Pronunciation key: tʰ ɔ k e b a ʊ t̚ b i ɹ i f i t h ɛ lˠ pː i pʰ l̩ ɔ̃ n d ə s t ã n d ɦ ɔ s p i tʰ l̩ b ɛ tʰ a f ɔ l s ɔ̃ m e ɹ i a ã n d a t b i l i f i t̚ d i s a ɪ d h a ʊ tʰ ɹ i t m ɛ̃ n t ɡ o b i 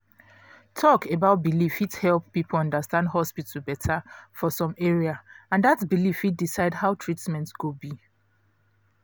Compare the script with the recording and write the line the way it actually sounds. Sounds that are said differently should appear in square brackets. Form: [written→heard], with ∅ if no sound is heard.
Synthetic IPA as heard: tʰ ɔ k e b a ʊ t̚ b i [ɹ→l] i f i t h ɛ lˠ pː i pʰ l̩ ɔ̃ n d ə s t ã n d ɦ ɔ s p i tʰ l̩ b ɛ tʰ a f ɔ [l→∅] s ɔ̃ m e ɹ i a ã n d a t b i l i f i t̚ d i s a ɪ d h a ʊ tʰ ɹ i t m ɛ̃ n t ɡ o b i